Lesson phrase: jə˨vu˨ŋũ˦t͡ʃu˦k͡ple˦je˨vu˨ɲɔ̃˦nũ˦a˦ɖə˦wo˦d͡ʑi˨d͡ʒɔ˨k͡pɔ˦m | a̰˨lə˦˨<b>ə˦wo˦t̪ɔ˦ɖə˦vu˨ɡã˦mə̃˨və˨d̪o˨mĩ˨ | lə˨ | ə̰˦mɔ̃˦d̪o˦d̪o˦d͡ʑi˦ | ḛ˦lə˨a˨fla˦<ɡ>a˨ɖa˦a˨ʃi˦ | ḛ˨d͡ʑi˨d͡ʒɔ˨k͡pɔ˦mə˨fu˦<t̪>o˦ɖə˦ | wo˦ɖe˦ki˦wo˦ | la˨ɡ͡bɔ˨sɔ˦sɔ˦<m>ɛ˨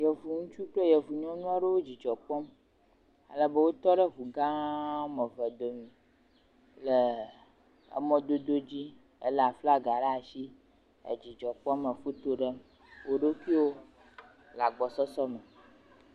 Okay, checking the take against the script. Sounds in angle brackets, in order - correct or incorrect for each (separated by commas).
correct, correct, correct, correct